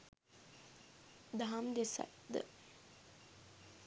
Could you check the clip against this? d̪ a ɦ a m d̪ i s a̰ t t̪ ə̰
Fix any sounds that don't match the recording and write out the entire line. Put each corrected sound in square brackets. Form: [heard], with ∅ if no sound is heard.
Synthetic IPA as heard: d̪ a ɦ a m d̪ [e] s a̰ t [d̪] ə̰